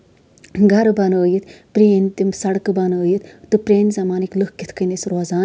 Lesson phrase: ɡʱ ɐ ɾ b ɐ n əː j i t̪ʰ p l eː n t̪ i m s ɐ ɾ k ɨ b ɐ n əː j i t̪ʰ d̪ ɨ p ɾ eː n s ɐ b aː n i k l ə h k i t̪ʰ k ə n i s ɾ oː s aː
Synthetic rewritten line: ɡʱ ɐ ɾ b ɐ n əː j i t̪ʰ p ɾ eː n t̪ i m s ɐ ɽ k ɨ b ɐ n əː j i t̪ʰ t̪ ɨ p ɾ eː n z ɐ m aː n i k l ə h k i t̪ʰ k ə n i s ɾ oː z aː